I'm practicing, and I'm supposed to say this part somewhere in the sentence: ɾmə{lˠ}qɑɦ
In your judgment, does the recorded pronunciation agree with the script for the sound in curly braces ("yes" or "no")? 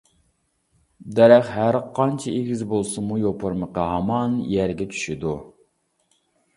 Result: no